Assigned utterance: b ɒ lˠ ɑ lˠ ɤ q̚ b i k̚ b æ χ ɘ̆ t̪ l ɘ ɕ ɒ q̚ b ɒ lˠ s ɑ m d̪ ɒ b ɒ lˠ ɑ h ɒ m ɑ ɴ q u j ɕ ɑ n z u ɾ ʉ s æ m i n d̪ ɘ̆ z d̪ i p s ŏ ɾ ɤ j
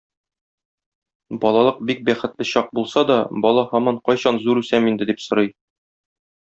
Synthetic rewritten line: b ɒ lˠ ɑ lˠ ɤ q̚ b i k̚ b æ χ ɘ̆ t̪ l ɘ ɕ ɒ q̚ b u lˠ s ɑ d̪ ɒ b ɒ lˠ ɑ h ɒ m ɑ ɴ q ɒ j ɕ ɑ n z u ɾ ʉ s æ m i n d̪ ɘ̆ d̪ i p s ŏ ɾ ɤ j